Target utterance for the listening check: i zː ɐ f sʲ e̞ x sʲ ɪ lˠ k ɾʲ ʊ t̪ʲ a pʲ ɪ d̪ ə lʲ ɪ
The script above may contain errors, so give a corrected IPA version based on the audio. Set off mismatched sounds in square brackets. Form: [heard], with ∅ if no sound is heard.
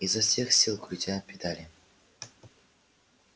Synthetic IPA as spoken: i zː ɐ f sʲ e̞ x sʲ [i] lˠ k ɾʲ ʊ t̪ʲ a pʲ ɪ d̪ [a] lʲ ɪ